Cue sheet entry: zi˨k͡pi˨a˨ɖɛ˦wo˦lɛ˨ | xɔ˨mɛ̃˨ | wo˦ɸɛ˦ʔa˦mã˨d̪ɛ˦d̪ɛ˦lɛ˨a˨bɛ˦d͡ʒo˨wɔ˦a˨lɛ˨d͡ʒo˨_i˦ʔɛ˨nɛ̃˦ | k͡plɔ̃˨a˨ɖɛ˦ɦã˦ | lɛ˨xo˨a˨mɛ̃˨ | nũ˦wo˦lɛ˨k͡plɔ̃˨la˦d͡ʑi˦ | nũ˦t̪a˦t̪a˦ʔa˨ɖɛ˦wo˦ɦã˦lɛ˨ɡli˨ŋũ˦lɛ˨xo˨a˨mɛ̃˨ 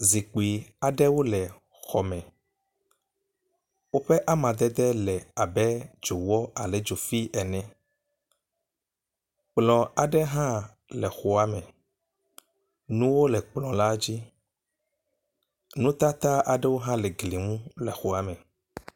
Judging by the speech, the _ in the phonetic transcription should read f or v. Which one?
f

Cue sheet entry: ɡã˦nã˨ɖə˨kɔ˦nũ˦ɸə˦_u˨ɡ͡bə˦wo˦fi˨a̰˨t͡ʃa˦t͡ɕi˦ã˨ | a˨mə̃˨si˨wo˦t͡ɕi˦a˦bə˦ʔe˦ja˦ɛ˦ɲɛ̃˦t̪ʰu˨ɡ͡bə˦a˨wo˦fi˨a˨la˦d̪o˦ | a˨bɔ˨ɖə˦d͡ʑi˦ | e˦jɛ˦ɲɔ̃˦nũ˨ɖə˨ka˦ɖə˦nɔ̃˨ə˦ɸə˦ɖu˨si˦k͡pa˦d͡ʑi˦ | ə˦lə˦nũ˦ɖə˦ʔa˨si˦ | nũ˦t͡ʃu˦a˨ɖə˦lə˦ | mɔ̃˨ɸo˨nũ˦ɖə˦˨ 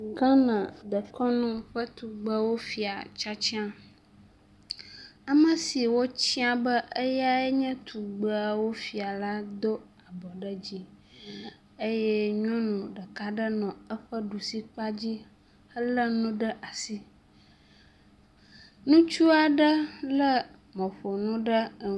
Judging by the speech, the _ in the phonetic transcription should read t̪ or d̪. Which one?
t̪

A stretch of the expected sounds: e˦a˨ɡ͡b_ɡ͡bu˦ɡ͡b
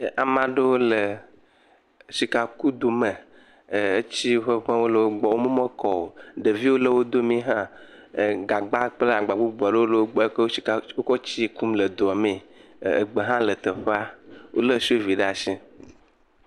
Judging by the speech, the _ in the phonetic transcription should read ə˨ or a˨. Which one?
a˨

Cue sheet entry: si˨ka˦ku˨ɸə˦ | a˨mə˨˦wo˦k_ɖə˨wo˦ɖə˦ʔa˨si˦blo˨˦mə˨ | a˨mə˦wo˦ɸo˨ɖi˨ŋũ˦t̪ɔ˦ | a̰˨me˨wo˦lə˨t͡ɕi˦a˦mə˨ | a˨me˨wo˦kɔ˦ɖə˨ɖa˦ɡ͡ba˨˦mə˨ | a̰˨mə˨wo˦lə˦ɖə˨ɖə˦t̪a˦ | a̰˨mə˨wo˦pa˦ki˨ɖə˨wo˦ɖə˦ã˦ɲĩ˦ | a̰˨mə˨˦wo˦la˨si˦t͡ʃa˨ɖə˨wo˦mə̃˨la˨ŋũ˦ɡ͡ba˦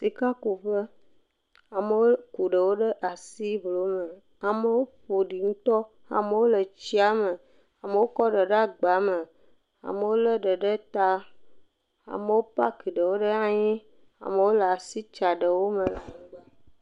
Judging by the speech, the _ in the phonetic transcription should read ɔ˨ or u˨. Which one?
u˨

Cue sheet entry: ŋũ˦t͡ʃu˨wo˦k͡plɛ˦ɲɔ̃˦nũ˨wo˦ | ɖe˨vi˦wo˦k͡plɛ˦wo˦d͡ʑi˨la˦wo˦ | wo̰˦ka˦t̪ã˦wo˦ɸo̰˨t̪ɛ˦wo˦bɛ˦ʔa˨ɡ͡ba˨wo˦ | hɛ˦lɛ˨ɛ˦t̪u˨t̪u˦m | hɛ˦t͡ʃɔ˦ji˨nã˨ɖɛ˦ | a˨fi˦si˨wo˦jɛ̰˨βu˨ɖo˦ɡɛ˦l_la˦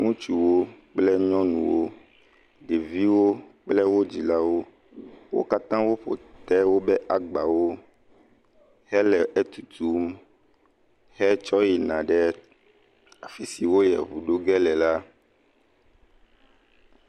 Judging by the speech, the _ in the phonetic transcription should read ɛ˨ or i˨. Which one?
ɛ˨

